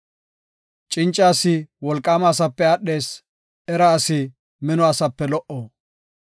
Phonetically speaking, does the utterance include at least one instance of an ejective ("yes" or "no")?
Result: yes